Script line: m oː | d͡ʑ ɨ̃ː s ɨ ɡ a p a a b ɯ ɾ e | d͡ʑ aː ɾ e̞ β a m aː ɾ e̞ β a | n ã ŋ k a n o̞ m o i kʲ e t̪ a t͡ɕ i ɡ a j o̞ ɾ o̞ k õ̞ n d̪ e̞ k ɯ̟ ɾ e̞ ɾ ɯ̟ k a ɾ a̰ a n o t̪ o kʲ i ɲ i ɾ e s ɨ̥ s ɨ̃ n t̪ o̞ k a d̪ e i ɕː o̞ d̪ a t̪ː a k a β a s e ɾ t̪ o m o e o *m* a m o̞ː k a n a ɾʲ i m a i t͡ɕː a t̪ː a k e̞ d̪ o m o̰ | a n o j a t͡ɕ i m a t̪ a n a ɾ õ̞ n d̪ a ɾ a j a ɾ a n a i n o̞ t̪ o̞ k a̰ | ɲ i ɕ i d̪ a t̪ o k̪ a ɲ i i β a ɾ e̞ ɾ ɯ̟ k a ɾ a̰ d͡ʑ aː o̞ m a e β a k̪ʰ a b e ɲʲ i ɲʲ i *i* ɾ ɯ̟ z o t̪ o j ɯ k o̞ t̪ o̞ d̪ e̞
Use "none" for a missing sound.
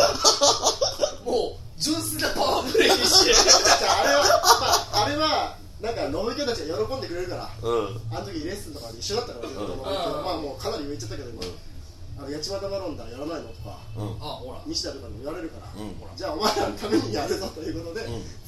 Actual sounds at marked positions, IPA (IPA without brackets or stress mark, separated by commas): m, a